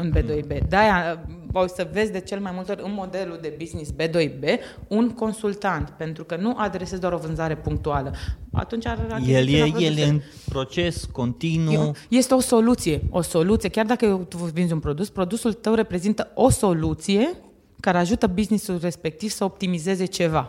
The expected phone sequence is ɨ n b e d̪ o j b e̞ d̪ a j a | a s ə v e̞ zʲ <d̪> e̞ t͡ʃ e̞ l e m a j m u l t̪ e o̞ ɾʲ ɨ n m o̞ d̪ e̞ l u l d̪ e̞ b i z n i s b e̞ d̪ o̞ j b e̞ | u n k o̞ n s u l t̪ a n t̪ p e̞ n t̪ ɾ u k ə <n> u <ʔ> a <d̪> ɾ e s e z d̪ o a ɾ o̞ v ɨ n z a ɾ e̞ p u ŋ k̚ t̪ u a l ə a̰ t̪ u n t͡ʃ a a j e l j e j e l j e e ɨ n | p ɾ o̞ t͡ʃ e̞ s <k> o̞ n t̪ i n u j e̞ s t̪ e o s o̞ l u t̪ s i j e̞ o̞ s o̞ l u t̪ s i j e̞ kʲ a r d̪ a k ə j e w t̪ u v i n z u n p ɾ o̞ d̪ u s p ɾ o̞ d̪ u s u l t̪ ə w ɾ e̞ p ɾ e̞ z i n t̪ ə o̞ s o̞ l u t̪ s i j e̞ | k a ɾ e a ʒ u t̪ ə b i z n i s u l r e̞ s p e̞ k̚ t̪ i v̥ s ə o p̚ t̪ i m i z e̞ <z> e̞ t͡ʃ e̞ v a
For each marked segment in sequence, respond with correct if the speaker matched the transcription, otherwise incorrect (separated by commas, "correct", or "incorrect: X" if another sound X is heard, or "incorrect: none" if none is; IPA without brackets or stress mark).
correct, correct, correct, correct, correct, correct